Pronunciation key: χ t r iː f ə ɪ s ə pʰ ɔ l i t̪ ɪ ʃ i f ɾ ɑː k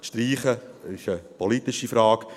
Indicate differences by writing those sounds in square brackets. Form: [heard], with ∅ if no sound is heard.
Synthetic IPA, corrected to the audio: [ʃ] t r iː [χ] ə ɪ [ʃ] ə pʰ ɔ l i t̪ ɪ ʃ i f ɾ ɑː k

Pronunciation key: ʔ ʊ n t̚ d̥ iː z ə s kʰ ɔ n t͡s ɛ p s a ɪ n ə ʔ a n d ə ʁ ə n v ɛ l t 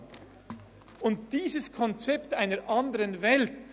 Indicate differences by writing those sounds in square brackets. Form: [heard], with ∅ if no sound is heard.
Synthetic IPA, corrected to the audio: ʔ ʊ n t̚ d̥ iː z ə s kʰ ɔ n t͡s ɛ p [t] a ɪ n ə ʔ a n d ə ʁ ə n v ɛ l t

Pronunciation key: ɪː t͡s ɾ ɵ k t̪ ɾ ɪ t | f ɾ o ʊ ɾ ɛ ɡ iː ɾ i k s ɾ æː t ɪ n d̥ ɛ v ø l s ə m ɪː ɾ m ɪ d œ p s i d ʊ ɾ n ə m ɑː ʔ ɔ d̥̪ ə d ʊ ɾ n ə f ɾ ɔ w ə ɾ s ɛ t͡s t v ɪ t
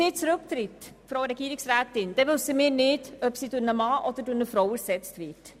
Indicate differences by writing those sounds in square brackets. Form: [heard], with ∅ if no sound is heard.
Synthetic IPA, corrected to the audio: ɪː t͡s ɾ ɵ k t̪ ɾ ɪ t | f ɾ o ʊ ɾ ɛ ɡ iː ɾ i k s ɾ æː t ɪ n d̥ ɛ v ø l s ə m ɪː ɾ [n] ɪ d œ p s i d ʊ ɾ n ə m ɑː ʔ ɔ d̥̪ ə d ʊ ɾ n ə f ɾ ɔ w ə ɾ s ɛ t͡s t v ɪ t

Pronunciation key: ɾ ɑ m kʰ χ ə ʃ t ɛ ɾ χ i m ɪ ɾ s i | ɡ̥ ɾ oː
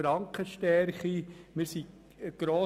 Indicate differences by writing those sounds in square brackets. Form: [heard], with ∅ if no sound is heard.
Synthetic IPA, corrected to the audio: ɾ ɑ [ŋ] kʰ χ ə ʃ t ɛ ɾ χ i m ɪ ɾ s i | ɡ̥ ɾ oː

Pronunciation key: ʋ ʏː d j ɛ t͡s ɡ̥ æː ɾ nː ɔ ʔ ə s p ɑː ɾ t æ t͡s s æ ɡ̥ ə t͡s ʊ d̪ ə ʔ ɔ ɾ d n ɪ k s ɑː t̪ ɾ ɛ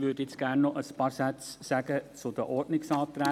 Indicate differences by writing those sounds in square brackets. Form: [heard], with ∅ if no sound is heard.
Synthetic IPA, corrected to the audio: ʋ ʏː d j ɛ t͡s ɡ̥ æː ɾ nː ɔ ʔ ə s p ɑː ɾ [s] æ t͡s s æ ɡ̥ ə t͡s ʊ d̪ ə ʔ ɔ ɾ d n ɪ k s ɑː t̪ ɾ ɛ

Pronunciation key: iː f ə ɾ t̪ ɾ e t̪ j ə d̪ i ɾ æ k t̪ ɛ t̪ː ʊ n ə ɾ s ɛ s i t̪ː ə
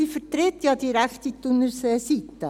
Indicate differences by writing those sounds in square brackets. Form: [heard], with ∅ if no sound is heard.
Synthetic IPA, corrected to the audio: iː f ə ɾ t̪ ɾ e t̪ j [ɑ] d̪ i ɾ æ k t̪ [i] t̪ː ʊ n ə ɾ s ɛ s i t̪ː ə

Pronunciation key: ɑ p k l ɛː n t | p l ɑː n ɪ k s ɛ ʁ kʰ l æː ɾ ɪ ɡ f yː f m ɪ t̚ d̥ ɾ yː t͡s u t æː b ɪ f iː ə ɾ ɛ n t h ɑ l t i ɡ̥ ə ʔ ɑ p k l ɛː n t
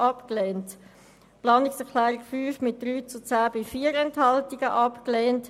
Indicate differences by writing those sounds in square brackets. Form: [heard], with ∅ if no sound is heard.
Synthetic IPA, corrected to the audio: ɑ p k l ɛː n t | p l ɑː n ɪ k s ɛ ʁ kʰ l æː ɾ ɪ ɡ f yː f m ɪ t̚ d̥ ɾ yː t͡s u [t͡s] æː b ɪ f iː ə ɾ ɛ n t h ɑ l t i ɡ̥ ə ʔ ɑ p k l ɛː n t

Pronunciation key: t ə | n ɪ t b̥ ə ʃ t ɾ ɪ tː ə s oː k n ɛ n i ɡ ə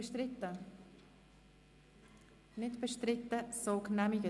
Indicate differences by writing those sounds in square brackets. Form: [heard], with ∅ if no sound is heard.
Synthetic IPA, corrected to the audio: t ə | n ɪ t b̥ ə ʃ t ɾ ɪ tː ə s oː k n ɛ [m] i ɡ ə

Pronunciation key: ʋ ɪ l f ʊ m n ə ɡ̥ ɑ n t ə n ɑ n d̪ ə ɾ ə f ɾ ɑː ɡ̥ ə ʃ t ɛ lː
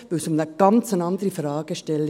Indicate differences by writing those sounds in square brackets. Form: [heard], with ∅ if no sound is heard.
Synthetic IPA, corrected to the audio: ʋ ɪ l [s] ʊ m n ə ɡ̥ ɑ n [t͡s] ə n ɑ n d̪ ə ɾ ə f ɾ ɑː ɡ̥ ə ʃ t ɛ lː

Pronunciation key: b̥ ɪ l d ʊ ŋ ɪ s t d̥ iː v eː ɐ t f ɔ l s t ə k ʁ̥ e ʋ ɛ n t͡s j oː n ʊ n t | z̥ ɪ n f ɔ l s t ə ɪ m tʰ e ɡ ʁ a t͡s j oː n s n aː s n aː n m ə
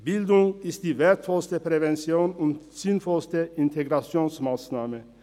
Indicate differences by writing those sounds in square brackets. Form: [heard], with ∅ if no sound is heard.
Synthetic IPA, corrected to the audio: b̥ ɪ l d ʊ ŋ ɪ s t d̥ iː v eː ɐ t f ɔ l s t ə [p] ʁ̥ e [v] ɛ n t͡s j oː n ʊ n t | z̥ ɪ n f ɔ l s t ə ɪ [n] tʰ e ɡ ʁ a t͡s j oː n s [m] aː s n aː [∅] m ə

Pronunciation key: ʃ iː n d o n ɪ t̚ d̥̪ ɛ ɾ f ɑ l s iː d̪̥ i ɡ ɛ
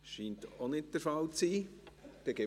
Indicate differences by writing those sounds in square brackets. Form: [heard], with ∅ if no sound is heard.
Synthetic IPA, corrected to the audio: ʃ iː n [t] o n ɪ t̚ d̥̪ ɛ ɾ f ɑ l [t͡s] iː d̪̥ [ɛ] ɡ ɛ

